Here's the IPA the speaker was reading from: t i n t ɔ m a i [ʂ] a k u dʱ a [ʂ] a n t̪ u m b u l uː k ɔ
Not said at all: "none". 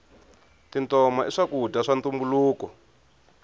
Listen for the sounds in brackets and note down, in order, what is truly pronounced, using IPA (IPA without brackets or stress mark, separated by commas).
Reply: ʂ, ʂ